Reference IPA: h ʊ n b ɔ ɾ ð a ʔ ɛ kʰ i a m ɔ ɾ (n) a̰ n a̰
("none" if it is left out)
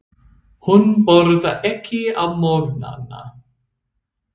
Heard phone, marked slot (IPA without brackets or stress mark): n